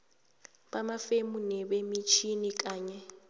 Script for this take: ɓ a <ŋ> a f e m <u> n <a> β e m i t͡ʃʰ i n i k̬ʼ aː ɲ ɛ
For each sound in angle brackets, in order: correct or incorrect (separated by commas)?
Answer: incorrect, correct, incorrect